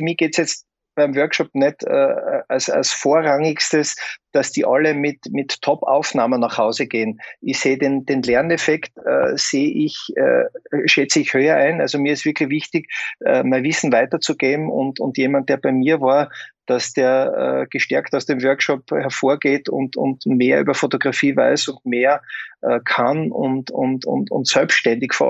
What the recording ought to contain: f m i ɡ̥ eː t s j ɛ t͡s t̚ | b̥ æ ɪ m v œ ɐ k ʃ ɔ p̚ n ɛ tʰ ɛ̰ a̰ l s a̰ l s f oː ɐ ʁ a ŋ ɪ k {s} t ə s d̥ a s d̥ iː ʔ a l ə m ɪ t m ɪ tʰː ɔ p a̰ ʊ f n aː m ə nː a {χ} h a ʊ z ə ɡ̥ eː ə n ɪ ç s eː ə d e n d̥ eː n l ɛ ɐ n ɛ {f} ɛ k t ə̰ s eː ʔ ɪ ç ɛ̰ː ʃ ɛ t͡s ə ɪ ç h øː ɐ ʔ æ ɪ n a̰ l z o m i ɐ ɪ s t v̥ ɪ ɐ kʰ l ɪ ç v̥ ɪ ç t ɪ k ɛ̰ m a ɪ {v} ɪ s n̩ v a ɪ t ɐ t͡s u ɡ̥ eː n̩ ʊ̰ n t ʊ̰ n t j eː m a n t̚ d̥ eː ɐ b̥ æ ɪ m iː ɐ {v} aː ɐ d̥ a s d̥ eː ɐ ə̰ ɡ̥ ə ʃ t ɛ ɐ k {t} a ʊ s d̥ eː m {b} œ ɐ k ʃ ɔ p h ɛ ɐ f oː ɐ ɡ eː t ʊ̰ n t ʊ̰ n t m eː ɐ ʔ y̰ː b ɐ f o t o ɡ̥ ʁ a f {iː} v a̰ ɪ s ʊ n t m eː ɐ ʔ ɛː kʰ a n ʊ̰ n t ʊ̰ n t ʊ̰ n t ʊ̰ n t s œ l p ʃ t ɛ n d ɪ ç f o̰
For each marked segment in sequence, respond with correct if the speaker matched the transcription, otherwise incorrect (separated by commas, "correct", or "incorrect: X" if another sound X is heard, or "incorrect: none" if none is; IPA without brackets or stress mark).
correct, correct, correct, correct, correct, correct, incorrect: v, correct